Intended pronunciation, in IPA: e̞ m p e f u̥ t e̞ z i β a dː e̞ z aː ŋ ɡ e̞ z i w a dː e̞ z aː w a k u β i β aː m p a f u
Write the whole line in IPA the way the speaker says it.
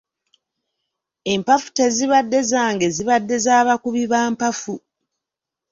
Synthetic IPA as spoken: e̞ m p a f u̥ t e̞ z i β a dː e̞ z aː ŋ ɡ e̞ z i β a dː e̞ z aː β a k u β i β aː m p a f u